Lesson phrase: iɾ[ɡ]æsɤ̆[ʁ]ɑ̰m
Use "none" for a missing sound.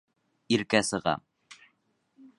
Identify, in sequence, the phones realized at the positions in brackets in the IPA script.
k, ʁ

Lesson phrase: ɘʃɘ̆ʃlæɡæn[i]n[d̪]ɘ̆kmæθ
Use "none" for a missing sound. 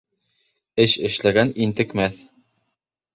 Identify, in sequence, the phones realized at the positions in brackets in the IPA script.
i, t̪

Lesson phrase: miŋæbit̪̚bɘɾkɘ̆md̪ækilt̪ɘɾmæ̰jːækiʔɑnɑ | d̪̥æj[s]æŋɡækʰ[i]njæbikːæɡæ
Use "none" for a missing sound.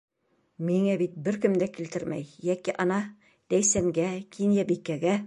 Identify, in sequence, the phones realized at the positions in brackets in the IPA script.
s, i

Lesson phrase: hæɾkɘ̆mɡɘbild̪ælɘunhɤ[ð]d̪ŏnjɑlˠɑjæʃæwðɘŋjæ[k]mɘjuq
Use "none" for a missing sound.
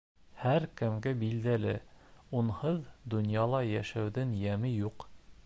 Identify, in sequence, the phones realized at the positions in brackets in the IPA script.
ð, none

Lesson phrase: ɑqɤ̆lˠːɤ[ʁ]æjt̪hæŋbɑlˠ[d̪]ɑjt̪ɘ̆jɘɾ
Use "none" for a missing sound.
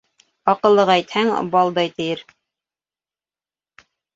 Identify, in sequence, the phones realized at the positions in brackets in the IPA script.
ʁ, d̪

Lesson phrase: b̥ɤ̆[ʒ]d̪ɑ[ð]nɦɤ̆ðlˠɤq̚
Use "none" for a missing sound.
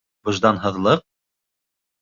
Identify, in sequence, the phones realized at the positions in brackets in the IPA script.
ʒ, none

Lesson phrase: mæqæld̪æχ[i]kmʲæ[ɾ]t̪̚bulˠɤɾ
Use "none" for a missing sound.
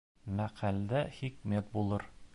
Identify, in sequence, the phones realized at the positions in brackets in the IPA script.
i, none

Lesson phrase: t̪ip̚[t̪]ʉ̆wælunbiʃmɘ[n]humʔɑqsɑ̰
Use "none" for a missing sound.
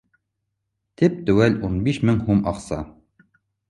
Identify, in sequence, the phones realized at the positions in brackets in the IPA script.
t̪, ŋ

